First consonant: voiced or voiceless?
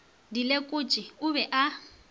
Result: voiced